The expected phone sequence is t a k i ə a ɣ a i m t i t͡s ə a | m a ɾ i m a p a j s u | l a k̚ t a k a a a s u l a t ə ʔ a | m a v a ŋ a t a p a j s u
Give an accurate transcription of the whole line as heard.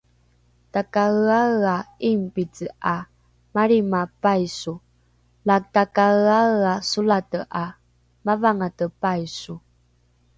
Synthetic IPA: t a k a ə a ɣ a i m p i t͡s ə a | m a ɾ i m a p a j s u | l a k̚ t a k a a a s u l a t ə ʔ a | m a v a ŋ a t ə p a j s u